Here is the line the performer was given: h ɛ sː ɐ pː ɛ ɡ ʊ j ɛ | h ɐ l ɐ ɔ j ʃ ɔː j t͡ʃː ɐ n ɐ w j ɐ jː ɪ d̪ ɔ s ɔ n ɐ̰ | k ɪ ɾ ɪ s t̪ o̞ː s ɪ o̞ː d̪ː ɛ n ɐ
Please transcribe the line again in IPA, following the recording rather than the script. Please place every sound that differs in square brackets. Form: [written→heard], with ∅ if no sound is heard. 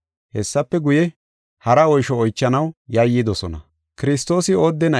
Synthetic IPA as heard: h ɛ sː ɐ pː ɛ ɡ ʊ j ɛ | h ɐ [l→ɾ] ɐ ɔ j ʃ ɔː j t͡ʃː ɐ n ɐ w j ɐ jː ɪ d̪ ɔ s ɔ n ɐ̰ | k ɪ ɾ ɪ s t̪ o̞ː s ɪ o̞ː d̪ː ɛ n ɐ